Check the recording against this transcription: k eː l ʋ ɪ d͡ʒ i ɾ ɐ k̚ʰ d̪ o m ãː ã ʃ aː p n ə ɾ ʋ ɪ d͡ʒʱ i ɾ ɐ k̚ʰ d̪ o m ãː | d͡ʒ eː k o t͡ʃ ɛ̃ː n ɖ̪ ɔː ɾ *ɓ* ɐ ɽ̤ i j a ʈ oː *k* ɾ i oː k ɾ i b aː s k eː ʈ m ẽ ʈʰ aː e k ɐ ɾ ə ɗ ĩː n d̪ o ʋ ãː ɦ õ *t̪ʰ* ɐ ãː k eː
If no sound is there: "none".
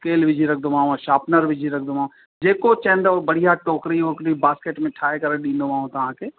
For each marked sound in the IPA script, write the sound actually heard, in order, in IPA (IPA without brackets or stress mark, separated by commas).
b, k, t̪